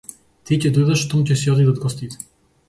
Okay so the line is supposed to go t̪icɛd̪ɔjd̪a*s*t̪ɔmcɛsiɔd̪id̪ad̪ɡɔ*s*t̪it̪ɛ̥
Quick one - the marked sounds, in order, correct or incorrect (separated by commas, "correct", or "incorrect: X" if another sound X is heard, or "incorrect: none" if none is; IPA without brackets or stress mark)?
incorrect: ʃ, correct